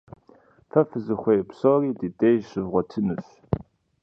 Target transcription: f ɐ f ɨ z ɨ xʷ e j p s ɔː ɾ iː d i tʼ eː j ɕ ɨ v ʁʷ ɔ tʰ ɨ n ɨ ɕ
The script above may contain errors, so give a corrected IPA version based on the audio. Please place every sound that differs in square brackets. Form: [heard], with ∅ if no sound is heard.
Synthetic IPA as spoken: f ɐ f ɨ z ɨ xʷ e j p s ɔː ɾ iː d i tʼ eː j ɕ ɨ v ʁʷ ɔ tʰ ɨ n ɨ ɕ